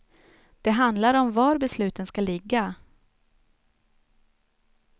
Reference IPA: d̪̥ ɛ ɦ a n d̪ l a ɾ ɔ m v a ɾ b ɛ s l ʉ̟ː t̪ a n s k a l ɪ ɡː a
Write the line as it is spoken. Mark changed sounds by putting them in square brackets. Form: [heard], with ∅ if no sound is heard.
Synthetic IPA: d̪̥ ɛ ɦ a n d̪ l a ɾ ɔ m v a ɾ b ɛ s l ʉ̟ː t̪ [ə] n s k a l ɪ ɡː a